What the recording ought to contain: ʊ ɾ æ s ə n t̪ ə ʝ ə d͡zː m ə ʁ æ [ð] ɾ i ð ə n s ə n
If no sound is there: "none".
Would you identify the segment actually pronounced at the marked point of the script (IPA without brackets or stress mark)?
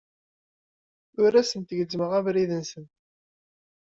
v